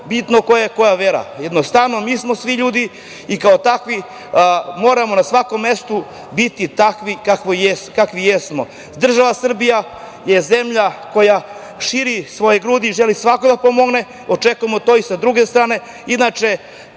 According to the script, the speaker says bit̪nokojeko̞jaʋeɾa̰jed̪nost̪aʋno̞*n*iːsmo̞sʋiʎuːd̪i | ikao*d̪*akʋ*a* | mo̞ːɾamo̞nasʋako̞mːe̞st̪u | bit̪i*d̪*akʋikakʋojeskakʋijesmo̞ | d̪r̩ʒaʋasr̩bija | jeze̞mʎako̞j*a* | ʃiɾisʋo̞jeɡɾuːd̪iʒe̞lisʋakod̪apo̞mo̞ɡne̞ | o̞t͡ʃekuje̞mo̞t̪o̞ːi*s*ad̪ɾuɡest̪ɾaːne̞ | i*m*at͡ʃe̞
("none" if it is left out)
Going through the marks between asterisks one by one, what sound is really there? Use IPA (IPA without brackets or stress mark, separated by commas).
m, t̪, i, t̪, a, s, n